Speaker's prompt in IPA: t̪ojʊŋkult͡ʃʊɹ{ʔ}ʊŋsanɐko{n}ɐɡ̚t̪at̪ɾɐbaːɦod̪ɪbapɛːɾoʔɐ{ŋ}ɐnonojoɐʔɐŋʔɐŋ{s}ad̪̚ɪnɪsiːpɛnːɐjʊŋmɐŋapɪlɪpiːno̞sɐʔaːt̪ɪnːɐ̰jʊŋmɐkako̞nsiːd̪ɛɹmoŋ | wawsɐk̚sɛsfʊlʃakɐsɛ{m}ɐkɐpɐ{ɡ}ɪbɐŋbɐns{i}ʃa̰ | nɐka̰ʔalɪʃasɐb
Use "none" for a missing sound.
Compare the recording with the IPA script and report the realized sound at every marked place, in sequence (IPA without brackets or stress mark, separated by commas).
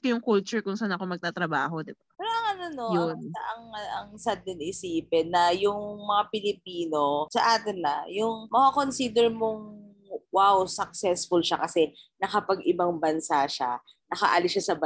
k, m, ŋ, s, n, ɡ, a